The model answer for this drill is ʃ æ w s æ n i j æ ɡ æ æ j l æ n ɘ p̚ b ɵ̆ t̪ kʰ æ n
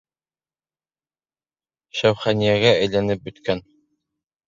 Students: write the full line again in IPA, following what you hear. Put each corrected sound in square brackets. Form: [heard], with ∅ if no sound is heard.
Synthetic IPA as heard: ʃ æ w [χ] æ n i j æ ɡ æ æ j l æ n ɘ p̚ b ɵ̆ t̪ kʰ æ n